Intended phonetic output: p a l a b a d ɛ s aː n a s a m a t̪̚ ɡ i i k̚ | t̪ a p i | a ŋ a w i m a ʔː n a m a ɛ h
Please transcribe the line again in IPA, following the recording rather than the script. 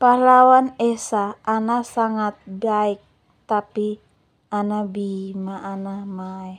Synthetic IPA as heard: p a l a w a n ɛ s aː n a s a ŋ a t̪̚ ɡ a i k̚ | t̪ a p i | a n a b i m a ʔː n a m a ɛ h